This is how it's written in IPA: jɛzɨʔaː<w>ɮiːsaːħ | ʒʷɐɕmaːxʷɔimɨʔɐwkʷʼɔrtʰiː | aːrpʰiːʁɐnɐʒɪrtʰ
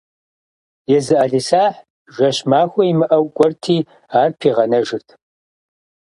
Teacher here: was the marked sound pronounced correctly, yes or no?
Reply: no